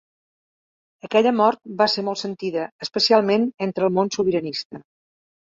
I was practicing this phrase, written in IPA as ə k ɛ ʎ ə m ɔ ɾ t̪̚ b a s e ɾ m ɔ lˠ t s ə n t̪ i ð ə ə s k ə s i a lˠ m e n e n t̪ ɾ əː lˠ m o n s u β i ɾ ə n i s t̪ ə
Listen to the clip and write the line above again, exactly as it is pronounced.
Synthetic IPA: ə k ɛ ʎ ə m ɔ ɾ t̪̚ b a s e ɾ m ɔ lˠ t s ə n t̪ i ð ə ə s p ə s i a lˠ m e n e n t̪ ɾ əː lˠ m o n s u β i ɾ ə n i s t̪ ə